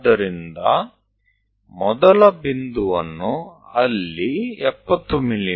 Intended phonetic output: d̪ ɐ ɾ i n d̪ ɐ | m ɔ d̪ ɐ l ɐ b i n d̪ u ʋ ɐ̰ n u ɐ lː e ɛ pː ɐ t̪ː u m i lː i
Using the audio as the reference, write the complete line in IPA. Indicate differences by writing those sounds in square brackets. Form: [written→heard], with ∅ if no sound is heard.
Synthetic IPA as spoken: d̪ ɐ ɾ i n d̪ ɐ | m ɔ d̪ ɐ l ɐ b i n d̪ u ʋ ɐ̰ [n→nː] u ɐ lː [e→i] ɛ pː ɐ t̪ː u m i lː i